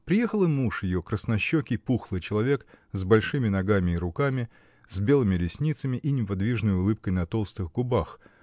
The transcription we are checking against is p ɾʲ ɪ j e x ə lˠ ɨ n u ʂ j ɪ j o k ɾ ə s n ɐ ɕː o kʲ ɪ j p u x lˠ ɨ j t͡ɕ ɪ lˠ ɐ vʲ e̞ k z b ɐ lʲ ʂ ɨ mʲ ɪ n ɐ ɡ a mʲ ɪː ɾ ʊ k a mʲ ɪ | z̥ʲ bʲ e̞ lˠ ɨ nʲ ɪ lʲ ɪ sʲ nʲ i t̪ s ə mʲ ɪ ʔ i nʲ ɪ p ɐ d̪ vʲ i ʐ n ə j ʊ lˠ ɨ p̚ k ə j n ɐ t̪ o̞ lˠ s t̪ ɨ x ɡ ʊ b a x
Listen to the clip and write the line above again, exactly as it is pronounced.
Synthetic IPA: p ɾʲ ɪ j e x ə lˠ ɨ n u ʂ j ɪ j o k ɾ ə s n ɐ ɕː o kʲ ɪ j p u x lˠ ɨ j t͡ɕ ɪ lˠ ɐ vʲ e̞ k z b ɐ lʲ ʂ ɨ mʲ ɪ n ɐ ɡ a mʲ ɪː ɾ ʊ k a mʲ ɪ | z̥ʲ bʲ e̞ lˠ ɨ mʲ ɪ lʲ ɪ sʲ nʲ i t̪ s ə mʲ ɪ ʔ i nʲ ɪ p ɐ d̪ vʲ i ʐ n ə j ʊ lˠ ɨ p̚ k ə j n ɐ t̪ o̞ lˠ s t̪ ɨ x ɡ ʊ b a x